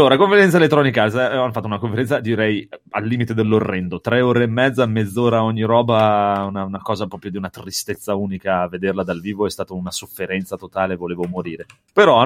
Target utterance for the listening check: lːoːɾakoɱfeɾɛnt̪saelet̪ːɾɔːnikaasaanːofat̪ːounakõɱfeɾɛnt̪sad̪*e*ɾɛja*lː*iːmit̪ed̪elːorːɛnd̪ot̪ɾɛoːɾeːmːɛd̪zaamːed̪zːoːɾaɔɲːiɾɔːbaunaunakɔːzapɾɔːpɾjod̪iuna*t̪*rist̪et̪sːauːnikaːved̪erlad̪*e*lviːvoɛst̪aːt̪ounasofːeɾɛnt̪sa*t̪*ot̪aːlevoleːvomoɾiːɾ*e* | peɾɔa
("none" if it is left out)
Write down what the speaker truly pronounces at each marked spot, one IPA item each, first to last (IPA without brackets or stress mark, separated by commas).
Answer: i, lː, t̪, a, t̪, e